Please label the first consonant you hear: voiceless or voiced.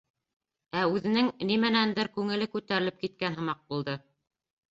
voiced